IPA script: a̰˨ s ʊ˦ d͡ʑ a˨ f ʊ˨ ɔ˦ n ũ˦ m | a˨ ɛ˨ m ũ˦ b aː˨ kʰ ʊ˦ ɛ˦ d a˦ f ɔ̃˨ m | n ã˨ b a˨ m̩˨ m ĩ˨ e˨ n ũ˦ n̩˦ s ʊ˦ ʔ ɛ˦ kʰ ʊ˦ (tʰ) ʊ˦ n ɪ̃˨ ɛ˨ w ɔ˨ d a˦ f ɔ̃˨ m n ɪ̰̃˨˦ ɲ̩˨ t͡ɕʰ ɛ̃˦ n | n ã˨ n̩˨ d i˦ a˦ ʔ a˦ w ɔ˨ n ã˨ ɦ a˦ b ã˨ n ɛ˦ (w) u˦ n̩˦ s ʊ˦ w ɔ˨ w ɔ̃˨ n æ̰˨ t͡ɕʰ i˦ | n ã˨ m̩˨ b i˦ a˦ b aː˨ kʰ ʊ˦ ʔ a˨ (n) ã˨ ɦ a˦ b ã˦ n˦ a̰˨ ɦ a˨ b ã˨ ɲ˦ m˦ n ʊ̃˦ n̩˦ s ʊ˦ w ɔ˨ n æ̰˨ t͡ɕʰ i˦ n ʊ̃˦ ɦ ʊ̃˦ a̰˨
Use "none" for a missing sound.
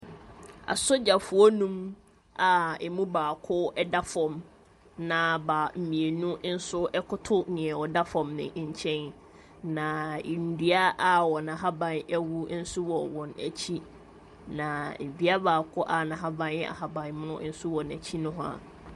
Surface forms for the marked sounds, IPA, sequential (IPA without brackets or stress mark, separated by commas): tʰ, w, n